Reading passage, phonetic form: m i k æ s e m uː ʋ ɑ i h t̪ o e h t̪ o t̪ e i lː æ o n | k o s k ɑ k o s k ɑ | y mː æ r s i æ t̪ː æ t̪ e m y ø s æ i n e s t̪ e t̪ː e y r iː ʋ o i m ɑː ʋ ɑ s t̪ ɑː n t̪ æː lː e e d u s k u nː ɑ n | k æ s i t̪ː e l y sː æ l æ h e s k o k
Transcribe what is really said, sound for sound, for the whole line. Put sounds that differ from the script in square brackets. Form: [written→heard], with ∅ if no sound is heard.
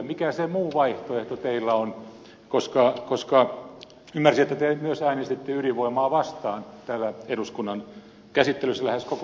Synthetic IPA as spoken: m i k æ s e m uː ʋ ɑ i h t̪ o e h t̪ o t̪ e i lː æ o n | k o s k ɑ k o s k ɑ | y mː æ r s i [æ→e] t̪ː æ t̪ e m y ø s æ i n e s t̪ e t̪ː e y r [iː→i] ʋ o i m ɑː ʋ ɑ s t̪ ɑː n t̪ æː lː [e→æ] e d u s k u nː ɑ n | k æ s i t̪ː e l y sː æ l æ h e s k o k